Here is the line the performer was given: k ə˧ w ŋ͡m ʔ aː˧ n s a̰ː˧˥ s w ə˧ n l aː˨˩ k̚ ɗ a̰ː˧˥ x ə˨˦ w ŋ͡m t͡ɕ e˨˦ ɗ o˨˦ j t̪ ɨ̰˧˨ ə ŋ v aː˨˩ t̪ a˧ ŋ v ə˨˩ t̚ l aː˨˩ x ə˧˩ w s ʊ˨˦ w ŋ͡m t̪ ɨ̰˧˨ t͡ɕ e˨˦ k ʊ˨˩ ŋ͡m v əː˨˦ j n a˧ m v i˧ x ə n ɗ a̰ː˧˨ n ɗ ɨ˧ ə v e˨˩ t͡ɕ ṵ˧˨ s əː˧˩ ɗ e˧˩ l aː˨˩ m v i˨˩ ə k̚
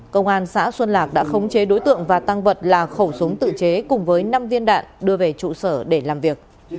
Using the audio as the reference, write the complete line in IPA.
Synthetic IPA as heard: k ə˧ w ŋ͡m ʔ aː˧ n s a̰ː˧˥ s w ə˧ n l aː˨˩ k̚ ɗ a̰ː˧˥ x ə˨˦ w ŋ͡m t͡ɕ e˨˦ ɗ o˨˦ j t̪ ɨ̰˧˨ ə ŋ v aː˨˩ t̪ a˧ ŋ v ə˨˩ t̚ l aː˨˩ x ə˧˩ w s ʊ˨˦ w ŋ͡m t̪ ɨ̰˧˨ t͡ɕ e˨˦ k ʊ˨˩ ŋ͡m v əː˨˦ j n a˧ m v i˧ ə n ɗ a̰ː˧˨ n ɗ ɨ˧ ə v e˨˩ t͡ɕ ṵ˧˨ s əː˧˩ ɗ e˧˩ l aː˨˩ m v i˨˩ ə k̚